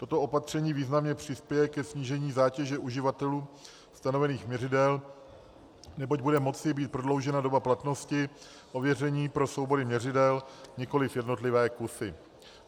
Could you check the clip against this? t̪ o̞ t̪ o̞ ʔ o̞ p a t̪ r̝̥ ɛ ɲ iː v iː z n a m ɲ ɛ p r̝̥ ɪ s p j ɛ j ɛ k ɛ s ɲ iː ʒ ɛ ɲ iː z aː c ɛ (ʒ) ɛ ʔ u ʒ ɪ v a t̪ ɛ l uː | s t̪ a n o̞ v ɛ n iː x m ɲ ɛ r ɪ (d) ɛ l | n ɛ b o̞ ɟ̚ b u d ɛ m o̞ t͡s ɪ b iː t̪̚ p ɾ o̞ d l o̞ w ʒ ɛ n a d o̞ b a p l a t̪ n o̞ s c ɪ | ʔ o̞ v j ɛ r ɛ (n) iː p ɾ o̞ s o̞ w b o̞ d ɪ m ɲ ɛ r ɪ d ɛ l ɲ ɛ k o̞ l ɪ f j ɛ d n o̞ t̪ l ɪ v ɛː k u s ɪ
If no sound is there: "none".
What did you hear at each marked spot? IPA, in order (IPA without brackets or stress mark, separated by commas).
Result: ʒ, d, ɲ